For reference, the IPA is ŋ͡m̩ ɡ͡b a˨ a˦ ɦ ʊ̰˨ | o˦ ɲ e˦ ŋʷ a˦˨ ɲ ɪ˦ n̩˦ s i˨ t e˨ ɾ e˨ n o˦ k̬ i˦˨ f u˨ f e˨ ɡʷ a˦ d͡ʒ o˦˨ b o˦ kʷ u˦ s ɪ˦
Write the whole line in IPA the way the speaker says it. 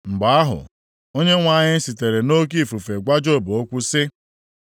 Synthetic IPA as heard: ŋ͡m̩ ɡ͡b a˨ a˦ ɦ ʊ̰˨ | o˦ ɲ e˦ ŋʷ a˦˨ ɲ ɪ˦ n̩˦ s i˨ t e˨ ɾ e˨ n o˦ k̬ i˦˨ f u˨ f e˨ ɡʷ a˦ d͡ʒ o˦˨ b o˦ kʷ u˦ s ɪ˦